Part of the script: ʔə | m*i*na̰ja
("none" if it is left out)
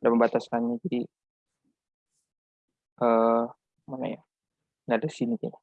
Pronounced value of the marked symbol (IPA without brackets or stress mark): a